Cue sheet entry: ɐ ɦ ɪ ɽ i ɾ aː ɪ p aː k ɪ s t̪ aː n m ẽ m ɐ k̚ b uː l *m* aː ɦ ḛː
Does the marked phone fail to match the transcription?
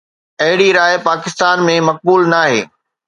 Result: yes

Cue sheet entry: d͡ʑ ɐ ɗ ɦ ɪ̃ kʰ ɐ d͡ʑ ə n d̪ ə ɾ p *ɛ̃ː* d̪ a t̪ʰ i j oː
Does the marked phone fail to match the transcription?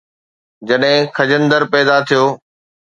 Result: yes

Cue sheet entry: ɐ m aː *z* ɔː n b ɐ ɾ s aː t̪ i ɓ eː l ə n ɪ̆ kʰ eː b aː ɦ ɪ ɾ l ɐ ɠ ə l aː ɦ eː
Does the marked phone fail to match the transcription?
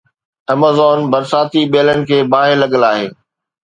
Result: no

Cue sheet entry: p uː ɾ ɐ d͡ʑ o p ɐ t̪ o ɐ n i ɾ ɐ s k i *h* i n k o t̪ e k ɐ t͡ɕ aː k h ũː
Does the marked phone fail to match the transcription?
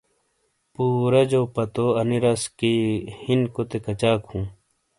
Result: no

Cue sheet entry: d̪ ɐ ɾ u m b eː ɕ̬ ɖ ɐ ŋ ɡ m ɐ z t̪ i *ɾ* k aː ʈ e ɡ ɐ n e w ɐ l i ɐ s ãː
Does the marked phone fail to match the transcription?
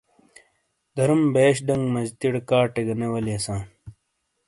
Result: yes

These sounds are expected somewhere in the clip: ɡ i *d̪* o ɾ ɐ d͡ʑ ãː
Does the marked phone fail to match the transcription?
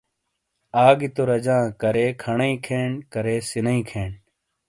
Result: yes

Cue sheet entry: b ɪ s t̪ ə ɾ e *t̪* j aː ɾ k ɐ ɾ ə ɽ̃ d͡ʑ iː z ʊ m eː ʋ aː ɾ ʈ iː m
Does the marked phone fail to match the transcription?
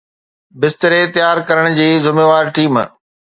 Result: no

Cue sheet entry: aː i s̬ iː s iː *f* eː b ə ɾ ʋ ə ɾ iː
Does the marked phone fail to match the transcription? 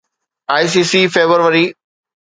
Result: no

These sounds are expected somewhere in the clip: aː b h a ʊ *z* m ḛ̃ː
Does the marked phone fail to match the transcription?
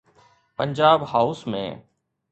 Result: yes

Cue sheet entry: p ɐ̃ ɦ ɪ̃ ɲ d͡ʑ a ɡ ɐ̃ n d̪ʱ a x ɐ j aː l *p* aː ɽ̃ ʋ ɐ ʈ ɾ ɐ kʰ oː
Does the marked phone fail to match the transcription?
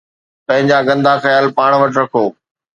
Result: no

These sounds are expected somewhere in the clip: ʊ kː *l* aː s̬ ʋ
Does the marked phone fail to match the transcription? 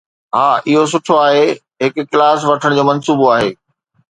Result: no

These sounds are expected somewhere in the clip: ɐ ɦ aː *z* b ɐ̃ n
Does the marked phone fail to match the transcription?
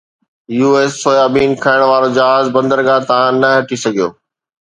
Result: no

